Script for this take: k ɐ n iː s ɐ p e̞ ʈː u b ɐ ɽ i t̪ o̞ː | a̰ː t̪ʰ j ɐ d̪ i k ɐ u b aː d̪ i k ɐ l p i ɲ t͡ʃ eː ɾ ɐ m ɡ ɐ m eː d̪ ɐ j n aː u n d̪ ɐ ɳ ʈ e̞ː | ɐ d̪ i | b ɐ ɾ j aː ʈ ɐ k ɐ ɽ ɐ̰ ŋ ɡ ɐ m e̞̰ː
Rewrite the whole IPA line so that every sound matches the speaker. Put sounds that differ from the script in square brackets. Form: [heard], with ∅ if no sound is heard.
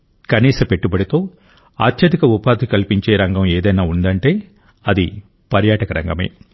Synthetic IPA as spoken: k ɐ n iː s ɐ p e̞ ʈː u b ɐ ɽ i t̪ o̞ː | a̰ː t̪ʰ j ɐ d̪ i k ɐ u [p] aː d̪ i k ɐ l p i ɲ t͡ʃ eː ɾ ɐ [ŋ] ɡ ɐ m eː d̪ ɐ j n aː u n d̪ ɐ ɳ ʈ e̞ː | ɐ d̪ i | [p] ɐ ɾ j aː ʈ ɐ k ɐ [ɾ] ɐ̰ ŋ ɡ ɐ m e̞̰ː

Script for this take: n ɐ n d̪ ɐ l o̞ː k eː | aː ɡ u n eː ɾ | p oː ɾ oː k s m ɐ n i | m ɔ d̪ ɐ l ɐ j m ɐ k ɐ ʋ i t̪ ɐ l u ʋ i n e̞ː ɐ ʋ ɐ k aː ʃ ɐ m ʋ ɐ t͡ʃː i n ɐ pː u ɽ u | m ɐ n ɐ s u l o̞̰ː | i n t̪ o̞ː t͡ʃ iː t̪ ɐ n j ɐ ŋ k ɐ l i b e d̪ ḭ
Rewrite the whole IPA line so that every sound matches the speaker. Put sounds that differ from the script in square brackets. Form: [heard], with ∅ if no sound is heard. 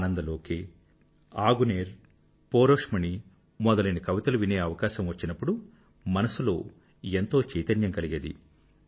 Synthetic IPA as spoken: n ɐ n d̪ ɐ l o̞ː k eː | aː ɡ u n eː ɾ | p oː ɾ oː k [ʂ] m ɐ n i | m ɔ d̪ ɐ l ɐ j [n] ɐ k ɐ ʋ i t̪ ɐ l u ʋ i n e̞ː ɐ ʋ ɐ k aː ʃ ɐ m ʋ ɐ t͡ʃː i n ɐ pː u ɽ u | m ɐ n ɐ s u l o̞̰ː | [e] n t̪ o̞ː t͡ʃ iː t̪ ɐ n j ɐ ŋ k ɐ l i [ɡ] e d̪ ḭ

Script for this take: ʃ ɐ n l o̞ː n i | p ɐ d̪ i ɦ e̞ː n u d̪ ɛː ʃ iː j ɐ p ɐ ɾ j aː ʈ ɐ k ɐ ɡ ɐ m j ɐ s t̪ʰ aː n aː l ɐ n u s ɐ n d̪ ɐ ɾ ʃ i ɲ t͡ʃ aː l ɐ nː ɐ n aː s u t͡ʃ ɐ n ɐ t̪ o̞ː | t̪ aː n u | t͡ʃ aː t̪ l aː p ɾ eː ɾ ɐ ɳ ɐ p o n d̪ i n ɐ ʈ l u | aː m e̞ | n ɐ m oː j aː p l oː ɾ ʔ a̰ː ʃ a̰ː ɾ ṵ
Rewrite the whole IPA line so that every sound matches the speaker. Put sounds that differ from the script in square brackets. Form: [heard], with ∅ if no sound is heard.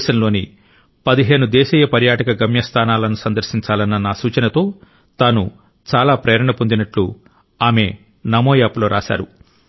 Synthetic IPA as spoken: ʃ ɐ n l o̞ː n i | p ɐ d̪ i ɦ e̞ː n u d̪ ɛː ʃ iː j ɐ p ɐ ɾ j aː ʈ ɐ k ɐ ɡ ɐ m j ɐ s t̪ʰ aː n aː l ɐ n u s ɐ n d̪ ɐ ɾ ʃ i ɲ t͡ʃ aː l ɐ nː ɐ n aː s [uː] t͡ʃ ɐ n ɐ t̪ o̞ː | t̪ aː n u | t͡ʃ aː [∅] l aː p ɾ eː ɾ ɐ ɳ ɐ p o n d̪ i n ɐ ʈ l u | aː m e̞ | n ɐ m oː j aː p l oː ɾ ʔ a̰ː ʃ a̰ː ɾ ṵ

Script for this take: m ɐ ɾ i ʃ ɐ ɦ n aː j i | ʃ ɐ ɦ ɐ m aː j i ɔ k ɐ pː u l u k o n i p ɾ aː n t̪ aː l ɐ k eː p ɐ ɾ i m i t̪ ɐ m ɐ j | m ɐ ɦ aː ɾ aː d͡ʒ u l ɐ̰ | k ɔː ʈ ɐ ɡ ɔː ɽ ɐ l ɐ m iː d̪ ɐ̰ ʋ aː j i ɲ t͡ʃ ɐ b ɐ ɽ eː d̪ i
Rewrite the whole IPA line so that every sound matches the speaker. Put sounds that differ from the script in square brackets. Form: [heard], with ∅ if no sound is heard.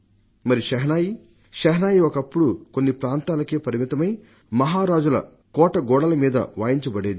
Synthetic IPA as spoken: m ɐ ɾ i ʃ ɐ ɦ n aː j i | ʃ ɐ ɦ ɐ [n] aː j i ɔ k ɐ pː u [ɽ] u k o [nː] i p ɾ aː n t̪ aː l ɐ k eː p ɐ ɾ i m i t̪ ɐ m ɐ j | m ɐ ɦ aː ɾ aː d͡ʒ u l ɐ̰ | k ɔː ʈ ɐ ɡ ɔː ɽ ɐ l ɐ m iː d̪ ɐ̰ ʋ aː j i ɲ t͡ʃ ɐ b ɐ ɽ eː d̪ i

